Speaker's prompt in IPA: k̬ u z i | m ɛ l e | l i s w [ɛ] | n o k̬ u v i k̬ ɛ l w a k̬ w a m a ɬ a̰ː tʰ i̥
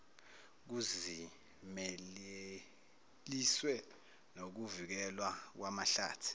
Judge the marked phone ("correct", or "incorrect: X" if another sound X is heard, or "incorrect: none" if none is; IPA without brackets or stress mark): correct